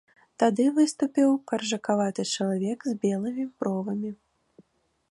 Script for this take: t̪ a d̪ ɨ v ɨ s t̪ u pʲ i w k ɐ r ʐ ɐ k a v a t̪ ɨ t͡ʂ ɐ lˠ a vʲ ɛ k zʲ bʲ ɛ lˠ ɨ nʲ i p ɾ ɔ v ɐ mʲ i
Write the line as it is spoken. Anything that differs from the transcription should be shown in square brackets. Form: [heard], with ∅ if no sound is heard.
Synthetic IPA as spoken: t̪ a d̪ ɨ v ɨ s t̪ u pʲ i w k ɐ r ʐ ɐ k a v a t̪ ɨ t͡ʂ ɐ lˠ a vʲ ɛ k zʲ bʲ ɛ lˠ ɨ [mʲ] i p ɾ ɔ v ɐ mʲ i